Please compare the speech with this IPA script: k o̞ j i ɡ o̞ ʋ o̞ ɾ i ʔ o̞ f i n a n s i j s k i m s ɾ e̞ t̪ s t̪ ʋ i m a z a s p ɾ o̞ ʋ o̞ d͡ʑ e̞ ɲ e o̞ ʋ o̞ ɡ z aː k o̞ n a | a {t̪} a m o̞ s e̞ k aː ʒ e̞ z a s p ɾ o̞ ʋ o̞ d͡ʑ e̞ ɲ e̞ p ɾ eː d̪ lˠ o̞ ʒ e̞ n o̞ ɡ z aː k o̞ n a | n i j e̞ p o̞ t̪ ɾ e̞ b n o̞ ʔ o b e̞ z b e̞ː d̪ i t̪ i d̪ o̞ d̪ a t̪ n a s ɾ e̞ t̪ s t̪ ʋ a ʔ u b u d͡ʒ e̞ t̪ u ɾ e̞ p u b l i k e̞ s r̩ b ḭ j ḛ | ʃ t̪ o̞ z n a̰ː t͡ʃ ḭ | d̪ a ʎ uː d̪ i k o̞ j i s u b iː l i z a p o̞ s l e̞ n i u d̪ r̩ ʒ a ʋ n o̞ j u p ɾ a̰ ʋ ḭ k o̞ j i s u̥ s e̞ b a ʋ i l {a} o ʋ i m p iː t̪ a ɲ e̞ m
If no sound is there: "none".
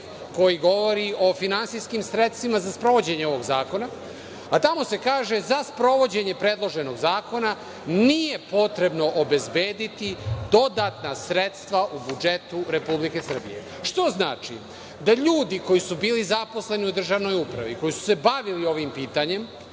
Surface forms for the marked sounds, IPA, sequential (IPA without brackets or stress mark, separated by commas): t̪, i